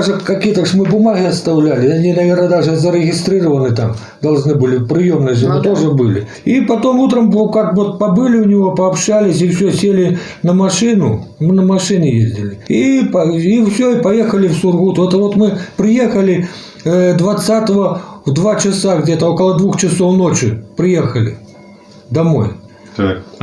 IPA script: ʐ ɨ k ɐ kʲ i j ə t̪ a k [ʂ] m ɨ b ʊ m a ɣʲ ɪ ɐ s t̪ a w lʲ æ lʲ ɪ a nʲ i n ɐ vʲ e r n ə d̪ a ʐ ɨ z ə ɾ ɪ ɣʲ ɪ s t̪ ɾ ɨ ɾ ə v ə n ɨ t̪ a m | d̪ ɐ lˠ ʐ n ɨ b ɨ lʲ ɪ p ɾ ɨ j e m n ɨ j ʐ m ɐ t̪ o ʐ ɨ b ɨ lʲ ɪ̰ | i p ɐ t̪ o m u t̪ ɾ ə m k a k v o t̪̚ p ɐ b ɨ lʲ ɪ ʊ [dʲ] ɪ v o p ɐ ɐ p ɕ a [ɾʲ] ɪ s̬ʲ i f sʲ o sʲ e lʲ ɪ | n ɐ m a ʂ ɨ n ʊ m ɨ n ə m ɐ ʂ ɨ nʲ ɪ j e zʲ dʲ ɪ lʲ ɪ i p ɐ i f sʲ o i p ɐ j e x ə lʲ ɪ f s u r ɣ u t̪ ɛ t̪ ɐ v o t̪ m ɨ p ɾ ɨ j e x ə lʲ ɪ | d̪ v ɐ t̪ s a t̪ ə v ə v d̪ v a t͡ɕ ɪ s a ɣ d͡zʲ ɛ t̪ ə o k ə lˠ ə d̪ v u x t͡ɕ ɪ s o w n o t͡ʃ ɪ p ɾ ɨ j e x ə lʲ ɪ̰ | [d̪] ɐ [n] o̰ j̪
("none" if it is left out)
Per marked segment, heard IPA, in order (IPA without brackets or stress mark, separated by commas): ʂ, nʲ, lʲ, d̪, m